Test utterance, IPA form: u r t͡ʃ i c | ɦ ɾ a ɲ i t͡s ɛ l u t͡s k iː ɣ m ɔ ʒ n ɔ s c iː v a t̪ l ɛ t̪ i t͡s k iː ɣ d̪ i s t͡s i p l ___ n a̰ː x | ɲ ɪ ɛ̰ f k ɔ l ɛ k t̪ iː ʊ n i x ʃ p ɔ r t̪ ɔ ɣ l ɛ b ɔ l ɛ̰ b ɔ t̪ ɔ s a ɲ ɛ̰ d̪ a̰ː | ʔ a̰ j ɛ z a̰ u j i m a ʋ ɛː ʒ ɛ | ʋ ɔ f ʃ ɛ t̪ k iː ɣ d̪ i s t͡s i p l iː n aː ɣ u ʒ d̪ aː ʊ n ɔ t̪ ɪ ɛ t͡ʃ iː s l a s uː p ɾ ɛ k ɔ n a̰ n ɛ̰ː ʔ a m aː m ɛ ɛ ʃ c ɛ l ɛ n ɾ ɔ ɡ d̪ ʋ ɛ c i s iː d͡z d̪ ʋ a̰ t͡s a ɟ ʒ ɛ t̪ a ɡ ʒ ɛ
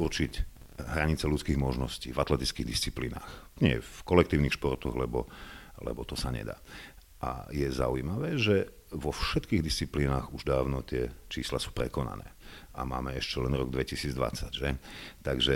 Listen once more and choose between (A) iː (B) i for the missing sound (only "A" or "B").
A